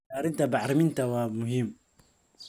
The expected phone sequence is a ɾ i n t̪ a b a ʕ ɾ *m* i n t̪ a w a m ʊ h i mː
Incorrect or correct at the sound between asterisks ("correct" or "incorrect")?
correct